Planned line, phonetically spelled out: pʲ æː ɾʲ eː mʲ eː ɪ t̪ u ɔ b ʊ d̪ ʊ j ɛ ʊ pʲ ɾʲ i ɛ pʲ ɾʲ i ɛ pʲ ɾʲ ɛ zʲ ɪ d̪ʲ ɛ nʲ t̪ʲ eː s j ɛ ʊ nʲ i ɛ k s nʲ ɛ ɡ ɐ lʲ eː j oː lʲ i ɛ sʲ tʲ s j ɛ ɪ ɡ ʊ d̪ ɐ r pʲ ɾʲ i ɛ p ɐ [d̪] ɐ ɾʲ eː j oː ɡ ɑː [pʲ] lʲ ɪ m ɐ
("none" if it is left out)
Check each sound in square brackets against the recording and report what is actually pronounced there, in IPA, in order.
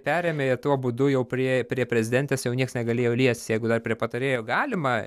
t̪, none

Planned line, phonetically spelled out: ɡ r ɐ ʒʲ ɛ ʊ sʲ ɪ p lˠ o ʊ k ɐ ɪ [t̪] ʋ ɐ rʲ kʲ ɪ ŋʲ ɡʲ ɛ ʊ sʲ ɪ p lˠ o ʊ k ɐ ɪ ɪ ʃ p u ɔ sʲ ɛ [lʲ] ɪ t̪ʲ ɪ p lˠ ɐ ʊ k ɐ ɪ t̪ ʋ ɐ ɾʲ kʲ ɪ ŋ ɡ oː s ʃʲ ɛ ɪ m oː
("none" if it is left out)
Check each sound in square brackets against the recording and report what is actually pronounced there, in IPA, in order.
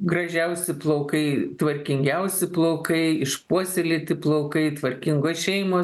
t̪, lʲ

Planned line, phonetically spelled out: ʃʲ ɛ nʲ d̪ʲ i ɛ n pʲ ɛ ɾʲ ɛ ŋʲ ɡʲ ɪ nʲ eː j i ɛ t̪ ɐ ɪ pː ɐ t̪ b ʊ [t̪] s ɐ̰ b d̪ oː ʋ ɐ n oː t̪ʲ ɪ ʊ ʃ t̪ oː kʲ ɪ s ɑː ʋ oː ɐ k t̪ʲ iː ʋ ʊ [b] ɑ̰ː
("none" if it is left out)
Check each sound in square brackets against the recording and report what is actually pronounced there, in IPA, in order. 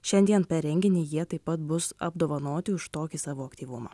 none, m

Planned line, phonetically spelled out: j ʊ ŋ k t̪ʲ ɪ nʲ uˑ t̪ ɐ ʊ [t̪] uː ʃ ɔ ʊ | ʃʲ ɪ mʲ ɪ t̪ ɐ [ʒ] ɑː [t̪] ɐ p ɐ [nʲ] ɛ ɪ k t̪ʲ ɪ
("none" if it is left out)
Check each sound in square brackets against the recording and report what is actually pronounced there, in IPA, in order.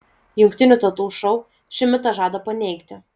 t̪, ʒ, d̪, nʲ

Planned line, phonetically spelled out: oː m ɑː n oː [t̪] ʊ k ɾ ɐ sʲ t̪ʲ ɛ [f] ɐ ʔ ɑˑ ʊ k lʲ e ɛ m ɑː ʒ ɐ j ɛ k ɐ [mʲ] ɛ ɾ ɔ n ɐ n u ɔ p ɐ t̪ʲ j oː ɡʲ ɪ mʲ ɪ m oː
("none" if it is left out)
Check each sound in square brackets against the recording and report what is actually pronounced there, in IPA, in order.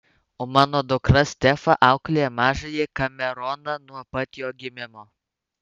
d̪, f, mʲ

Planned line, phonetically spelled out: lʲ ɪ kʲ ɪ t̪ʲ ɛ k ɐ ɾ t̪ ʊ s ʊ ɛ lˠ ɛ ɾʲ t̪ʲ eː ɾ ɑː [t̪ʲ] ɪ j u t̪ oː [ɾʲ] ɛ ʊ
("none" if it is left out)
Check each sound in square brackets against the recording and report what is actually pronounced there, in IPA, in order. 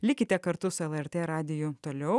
d̪ʲ, lʲ

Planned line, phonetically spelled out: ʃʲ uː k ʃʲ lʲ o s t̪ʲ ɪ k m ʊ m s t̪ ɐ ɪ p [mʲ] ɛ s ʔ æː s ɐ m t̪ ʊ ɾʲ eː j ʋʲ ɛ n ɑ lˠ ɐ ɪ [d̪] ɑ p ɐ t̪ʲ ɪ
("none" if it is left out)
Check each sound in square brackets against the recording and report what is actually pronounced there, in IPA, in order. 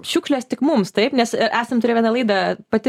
nʲ, d̪

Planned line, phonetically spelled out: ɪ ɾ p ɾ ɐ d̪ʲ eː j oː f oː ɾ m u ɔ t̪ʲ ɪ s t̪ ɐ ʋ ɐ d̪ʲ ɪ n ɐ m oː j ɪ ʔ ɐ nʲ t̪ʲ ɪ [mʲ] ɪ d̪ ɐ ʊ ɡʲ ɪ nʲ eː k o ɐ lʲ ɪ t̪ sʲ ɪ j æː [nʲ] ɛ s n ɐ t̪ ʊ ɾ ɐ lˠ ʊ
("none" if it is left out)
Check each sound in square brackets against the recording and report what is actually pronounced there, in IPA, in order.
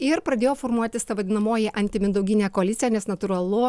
mʲ, nʲ

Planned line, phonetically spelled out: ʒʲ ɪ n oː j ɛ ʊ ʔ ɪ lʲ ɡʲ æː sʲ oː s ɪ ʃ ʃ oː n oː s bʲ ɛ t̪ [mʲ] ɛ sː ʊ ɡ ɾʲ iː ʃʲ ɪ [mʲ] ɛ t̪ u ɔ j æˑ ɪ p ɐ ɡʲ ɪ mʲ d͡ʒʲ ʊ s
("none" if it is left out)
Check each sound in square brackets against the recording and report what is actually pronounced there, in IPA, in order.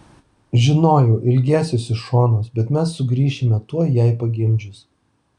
mʲ, mʲ

